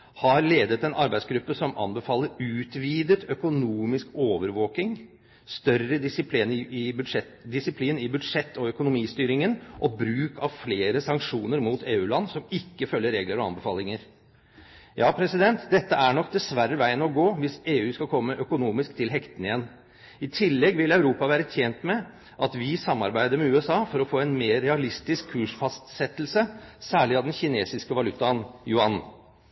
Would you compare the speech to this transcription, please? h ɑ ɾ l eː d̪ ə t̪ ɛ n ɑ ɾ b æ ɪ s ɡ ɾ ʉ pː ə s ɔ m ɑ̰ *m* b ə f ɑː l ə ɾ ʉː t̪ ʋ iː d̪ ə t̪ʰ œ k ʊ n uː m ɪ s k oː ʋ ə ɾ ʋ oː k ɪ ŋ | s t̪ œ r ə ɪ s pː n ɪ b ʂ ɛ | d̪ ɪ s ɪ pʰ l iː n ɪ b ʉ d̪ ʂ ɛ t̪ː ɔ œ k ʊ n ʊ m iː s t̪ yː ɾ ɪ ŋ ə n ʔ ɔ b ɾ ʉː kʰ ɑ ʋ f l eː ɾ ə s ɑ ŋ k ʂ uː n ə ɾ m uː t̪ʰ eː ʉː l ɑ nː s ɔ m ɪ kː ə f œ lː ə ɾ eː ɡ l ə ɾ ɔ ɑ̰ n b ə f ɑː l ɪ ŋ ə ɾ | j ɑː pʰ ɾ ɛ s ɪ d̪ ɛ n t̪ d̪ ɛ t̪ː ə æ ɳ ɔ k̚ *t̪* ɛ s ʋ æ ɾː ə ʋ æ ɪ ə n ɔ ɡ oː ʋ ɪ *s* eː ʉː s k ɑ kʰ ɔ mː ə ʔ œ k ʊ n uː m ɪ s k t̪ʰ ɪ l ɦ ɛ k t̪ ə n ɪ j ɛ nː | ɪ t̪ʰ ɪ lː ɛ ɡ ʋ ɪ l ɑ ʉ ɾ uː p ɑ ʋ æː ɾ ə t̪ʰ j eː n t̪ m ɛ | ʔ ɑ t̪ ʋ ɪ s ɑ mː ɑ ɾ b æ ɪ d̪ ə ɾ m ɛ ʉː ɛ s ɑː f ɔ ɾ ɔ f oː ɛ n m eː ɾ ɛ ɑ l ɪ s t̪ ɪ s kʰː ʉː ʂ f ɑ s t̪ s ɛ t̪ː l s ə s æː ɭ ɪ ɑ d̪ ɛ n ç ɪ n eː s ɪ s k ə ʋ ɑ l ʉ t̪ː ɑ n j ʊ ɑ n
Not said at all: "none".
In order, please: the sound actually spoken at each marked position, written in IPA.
n, d̪, s

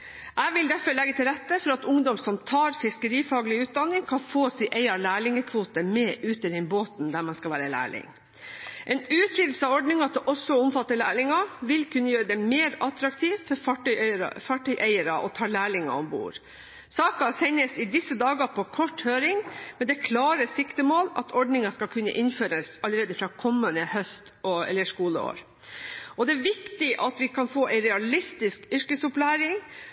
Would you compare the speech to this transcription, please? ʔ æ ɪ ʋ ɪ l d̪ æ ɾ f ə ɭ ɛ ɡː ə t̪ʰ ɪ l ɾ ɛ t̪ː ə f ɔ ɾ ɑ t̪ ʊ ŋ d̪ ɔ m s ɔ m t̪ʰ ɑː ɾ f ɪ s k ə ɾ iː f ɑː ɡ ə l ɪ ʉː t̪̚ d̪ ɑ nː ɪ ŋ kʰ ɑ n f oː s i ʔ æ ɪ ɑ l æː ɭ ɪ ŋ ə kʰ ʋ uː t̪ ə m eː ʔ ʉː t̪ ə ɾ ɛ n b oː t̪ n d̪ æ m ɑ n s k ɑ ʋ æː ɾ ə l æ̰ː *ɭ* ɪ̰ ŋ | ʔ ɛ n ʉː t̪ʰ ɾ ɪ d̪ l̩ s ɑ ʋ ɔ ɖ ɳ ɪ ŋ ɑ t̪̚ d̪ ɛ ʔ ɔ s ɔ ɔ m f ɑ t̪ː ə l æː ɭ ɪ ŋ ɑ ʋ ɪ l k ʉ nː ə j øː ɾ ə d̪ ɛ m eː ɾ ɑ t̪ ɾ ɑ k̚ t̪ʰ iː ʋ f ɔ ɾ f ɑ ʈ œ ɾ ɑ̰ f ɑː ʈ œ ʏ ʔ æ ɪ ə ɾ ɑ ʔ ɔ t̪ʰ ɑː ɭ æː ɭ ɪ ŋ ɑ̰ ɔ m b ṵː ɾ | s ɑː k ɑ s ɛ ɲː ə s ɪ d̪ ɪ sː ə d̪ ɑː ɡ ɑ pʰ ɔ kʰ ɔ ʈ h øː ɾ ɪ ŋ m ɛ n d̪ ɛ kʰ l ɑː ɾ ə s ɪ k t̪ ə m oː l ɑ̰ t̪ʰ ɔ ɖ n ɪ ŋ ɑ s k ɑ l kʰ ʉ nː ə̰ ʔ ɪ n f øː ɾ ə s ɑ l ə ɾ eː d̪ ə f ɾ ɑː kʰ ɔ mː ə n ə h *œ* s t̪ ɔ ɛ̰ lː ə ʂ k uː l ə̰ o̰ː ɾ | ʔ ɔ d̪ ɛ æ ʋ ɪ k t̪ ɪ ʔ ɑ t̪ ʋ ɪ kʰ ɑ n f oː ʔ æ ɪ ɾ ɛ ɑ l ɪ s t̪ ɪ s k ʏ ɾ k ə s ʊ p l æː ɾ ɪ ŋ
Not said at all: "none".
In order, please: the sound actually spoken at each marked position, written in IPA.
ɭ, œ

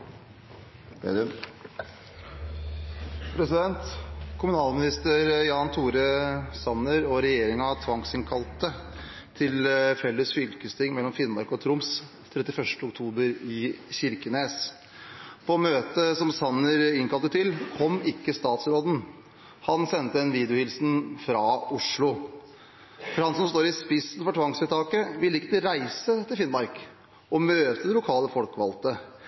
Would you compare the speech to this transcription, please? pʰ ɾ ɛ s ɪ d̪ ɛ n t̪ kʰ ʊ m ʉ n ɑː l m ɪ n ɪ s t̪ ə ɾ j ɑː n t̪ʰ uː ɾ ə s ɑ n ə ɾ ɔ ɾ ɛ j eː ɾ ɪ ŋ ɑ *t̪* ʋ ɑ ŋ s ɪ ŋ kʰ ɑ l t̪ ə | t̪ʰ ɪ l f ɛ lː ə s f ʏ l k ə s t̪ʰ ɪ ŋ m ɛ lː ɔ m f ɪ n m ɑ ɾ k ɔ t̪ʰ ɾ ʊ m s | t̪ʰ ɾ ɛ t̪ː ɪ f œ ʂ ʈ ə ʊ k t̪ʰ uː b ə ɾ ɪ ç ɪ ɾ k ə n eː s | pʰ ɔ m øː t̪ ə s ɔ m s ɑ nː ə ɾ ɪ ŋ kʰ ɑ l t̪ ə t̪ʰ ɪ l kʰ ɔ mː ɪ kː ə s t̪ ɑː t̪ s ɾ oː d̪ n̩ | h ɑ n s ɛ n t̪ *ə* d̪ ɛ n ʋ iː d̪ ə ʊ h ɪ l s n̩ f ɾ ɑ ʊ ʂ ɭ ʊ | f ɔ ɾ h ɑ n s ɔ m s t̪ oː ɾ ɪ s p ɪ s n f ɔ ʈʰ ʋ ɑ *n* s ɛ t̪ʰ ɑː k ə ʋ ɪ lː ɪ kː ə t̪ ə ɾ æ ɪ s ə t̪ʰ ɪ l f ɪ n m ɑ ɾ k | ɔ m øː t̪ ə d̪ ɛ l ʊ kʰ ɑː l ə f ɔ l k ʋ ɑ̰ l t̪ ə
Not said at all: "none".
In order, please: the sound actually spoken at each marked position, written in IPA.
t̪ʰ, ə, ŋ

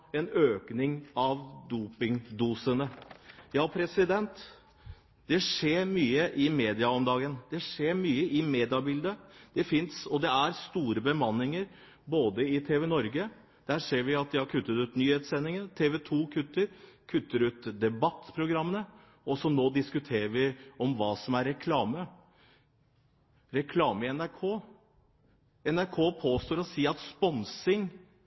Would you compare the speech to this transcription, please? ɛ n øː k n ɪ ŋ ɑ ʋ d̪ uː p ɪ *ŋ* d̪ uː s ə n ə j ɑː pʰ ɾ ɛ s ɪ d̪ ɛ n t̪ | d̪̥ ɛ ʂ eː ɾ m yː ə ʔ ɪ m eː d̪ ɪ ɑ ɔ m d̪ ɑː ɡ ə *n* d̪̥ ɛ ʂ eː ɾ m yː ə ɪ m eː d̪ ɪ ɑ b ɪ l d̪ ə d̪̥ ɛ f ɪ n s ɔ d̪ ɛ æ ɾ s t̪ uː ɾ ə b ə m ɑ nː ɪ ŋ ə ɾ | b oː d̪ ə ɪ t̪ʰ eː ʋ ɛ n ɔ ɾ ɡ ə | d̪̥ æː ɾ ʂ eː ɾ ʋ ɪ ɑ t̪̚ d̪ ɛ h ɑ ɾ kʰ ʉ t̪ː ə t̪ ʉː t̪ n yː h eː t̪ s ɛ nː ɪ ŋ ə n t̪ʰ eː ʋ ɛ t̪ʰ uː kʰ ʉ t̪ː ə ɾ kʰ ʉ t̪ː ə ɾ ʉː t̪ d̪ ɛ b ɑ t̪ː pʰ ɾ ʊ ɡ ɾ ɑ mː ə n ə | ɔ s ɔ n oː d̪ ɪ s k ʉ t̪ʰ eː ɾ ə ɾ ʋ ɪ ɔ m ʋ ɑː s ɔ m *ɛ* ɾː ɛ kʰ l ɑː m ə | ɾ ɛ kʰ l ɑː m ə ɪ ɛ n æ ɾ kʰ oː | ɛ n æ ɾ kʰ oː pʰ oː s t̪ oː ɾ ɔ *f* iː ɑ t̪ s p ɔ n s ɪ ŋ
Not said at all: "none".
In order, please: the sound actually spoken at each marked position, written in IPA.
ŋ, n, æ, s

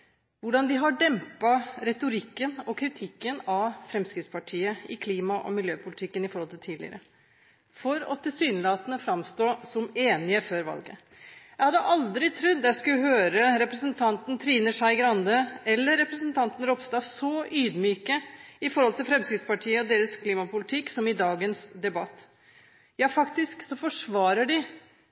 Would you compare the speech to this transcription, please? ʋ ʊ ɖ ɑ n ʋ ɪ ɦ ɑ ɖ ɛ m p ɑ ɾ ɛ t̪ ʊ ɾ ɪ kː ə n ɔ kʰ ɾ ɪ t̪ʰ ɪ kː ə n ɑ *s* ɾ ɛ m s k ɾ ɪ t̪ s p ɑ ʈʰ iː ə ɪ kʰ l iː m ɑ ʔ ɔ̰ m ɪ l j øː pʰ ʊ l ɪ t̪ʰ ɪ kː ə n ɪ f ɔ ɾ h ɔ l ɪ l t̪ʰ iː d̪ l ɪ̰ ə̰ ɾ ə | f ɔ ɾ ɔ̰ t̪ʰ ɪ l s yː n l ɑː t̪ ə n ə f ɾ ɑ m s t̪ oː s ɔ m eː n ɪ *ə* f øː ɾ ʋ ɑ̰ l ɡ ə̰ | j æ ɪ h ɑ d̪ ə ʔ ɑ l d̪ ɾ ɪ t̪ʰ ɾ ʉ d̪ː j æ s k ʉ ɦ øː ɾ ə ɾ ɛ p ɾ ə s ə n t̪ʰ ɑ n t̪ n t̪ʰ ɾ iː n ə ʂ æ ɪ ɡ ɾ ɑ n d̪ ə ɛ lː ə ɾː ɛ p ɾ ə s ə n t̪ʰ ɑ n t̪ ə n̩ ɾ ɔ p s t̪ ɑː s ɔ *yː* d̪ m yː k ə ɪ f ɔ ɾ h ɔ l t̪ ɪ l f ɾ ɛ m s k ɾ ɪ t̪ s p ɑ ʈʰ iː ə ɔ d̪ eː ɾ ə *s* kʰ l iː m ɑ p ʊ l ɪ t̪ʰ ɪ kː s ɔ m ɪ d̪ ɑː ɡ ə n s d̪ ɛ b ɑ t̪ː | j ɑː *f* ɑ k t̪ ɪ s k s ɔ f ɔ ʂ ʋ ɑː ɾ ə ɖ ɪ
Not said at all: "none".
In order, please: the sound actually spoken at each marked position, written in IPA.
f, ə, yː, s, f

